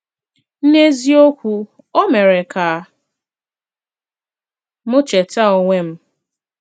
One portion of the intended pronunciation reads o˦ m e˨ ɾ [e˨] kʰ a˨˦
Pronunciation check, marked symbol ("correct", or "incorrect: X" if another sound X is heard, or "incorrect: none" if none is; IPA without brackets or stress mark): correct